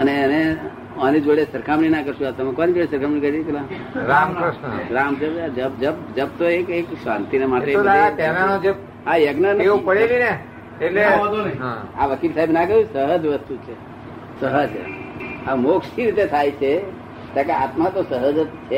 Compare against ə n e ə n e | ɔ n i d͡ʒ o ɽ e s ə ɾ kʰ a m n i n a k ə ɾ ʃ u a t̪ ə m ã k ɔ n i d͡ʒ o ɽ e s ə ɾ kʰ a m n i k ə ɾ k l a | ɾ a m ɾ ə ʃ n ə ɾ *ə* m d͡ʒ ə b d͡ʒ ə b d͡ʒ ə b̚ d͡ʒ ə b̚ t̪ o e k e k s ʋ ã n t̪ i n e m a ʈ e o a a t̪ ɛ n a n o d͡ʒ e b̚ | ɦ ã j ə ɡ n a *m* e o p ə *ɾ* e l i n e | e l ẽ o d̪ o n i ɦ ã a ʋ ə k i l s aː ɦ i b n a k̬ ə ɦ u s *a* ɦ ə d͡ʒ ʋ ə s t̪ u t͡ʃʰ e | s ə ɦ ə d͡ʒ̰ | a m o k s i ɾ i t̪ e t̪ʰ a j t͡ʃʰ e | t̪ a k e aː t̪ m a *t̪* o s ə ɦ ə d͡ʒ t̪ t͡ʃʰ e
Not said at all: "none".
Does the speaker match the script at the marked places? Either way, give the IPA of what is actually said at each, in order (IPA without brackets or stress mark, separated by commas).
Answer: a, n, ɽ, ə, t̪